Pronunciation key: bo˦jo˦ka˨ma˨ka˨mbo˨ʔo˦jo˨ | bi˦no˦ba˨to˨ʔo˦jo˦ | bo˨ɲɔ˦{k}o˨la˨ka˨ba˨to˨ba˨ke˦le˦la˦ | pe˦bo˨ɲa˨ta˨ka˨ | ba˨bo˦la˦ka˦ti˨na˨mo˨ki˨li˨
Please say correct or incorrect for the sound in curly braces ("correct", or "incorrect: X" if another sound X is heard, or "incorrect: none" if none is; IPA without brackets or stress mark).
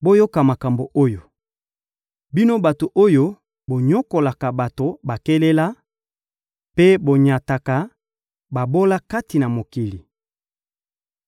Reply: correct